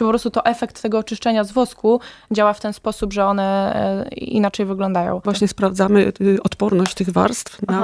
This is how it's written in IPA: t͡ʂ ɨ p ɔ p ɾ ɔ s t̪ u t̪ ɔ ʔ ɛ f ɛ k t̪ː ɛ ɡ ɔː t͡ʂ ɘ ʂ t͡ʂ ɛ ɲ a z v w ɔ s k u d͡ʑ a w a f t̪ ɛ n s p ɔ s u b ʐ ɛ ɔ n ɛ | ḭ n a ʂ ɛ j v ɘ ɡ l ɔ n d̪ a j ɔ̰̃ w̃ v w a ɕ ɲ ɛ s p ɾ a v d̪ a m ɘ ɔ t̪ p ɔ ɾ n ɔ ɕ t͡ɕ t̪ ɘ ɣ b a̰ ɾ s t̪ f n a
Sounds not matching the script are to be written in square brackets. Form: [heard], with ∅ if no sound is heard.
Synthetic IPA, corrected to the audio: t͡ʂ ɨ p ɔ p ɾ ɔ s t̪ u t̪ ɔ ʔ ɛ f ɛ k t̪ː ɛ ɡ ɔː t͡ʂ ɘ ʂ t͡ʂ ɛ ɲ a z v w ɔ s k u d͡ʑ a w a f t̪ ɛ n s p ɔ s u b ʐ ɛ ɔ n ɛ | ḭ n a [t͡ʂ] ɛ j v ɘ ɡ l ɔ n d̪ a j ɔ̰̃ w̃ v w a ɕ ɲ ɛ s p ɾ a v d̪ a m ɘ ɔ t̪ p ɔ ɾ n ɔ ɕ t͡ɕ t̪ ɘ ɣ [v] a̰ ɾ s t̪ f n a